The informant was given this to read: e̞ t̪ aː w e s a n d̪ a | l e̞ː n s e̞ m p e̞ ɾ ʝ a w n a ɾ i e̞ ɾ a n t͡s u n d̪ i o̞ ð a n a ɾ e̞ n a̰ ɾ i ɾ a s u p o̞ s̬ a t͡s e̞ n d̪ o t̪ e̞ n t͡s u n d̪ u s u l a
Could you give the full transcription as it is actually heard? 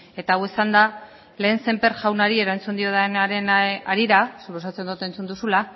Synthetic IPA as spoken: e̞ t̪ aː w e s a n d̪ a | l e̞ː n s e̞ m p e̞ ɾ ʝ a w n a ɾ i e̞ ɾ a n t͡s u n d̪ i o̞ ð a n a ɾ e̞ n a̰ ɾ i ɾ a s u p o̞ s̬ a t͡s e̞ n d̪ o t̪ e̞ n t͡s u n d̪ u s u l a